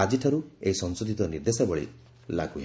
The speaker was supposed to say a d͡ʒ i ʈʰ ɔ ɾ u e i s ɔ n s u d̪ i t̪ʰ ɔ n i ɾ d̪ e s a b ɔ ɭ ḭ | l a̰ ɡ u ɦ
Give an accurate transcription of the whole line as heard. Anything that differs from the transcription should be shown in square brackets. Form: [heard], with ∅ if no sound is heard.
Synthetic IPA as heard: a d͡ʒ i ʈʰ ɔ ɾ u e i s ɔ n s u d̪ i [t̪] ɔ n i ɾ d̪ e s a b ɔ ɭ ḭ | l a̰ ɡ u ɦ